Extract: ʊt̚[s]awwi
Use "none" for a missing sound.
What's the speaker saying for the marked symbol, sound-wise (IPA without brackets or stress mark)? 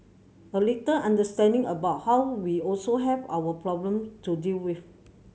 h